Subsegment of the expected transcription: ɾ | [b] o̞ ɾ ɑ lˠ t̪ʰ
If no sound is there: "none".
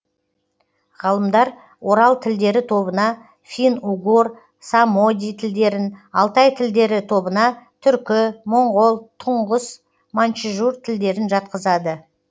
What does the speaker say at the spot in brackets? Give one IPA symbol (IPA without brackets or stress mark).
w